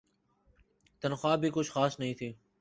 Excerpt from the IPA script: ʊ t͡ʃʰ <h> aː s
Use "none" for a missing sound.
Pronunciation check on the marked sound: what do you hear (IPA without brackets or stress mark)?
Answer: x